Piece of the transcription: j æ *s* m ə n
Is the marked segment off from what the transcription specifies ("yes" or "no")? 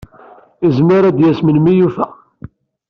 no